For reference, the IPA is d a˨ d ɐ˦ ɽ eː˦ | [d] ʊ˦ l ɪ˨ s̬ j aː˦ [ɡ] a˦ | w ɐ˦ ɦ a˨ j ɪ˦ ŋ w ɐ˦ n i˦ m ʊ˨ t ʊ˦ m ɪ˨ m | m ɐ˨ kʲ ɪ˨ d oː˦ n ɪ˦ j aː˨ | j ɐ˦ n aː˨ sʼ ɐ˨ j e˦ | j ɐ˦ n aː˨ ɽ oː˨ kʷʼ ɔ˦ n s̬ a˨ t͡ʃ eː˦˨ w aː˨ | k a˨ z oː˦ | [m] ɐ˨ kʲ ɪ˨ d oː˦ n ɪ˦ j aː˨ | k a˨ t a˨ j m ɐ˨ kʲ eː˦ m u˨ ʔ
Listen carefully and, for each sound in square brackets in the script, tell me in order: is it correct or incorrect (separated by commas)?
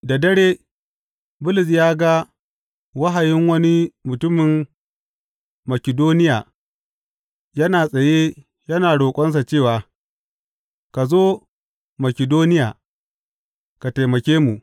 incorrect, correct, correct